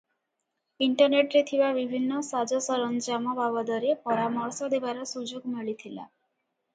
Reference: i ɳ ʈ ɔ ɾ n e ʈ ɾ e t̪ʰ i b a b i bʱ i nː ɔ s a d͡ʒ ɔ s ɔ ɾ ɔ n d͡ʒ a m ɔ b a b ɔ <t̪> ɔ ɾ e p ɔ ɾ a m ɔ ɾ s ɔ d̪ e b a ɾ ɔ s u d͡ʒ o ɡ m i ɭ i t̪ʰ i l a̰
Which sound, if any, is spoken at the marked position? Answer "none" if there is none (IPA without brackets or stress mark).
d̪